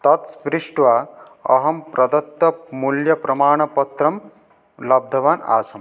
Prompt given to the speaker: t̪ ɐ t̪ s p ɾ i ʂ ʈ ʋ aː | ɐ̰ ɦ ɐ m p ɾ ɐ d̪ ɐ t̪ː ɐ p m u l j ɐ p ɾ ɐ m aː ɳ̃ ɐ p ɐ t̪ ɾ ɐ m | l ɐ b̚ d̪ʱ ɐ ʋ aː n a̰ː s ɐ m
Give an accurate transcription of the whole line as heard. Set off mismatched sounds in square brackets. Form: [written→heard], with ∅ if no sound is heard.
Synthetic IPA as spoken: t̪ ɐ t̪ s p ɾ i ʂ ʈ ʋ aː | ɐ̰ ɦ ɐ m p ɾ ɐ d̪ ɐ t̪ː ɐ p m u l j ɐ p ɾ ɐ m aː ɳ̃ ɐ p ɐ t̪ ɾ ɐ m | l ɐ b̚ d̪ʱ ɐ ʋ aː n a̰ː s ɐ m